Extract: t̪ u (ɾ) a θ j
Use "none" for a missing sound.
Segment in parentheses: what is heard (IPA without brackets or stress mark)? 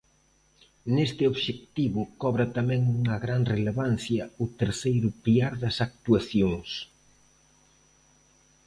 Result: none